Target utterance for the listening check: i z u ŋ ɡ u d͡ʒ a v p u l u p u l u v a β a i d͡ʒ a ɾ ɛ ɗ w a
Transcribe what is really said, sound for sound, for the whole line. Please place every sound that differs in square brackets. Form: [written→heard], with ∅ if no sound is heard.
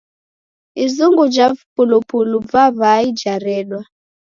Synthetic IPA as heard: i z u ŋ ɡ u d͡ʒ a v p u l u p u l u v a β a i d͡ʒ a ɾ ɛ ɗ w a